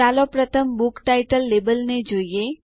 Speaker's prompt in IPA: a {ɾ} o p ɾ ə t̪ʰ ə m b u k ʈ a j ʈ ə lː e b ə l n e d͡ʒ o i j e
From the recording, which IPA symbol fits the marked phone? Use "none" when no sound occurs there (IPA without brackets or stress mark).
l